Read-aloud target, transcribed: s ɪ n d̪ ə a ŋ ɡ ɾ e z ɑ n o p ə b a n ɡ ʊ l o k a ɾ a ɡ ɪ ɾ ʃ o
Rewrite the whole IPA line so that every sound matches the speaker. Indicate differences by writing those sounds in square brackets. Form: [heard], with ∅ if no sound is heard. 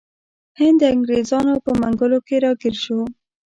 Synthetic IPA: [h] ɪ n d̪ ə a ŋ ɡ ɾ e z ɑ n o p ə [m] a [ŋ] ɡ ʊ l o k [e] ɾ [ɑ] ɡ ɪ ɾ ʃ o